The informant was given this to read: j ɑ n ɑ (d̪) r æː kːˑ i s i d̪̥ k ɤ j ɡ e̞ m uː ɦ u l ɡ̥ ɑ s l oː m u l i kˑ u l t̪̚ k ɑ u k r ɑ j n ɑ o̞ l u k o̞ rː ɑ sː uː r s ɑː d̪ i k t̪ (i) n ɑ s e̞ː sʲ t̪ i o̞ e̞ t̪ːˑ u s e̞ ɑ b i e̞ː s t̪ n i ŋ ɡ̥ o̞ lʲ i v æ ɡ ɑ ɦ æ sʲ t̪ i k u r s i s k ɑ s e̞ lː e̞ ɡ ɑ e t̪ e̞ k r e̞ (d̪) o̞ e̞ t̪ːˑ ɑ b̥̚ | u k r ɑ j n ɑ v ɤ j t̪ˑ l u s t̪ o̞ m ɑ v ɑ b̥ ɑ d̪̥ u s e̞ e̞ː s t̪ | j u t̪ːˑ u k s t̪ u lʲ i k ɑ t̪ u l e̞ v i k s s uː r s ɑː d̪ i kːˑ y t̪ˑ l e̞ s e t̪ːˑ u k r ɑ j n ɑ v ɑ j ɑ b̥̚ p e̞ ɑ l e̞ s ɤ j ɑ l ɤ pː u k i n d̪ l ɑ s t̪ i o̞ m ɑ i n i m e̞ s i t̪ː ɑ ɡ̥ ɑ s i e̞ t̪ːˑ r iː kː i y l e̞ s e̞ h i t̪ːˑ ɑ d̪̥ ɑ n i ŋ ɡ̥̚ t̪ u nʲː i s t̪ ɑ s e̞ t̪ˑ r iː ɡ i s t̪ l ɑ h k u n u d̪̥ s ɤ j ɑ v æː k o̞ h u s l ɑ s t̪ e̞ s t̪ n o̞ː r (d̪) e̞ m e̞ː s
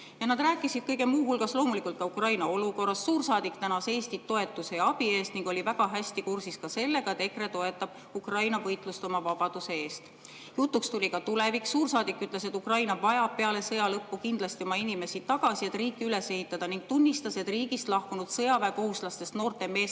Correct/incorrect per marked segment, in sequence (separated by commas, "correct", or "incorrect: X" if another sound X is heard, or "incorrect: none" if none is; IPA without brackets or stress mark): correct, incorrect: æ, incorrect: t̪, incorrect: t̪